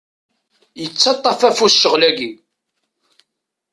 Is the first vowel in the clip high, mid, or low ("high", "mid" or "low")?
mid